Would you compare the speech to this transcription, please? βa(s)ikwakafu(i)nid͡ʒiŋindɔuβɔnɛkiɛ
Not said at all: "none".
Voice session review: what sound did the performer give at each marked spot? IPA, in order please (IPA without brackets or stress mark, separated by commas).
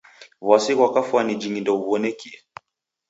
s, a